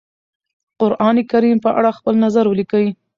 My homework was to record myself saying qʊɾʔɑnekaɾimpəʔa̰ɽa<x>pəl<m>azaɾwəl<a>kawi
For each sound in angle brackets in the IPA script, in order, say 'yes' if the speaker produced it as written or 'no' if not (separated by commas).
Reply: yes, no, no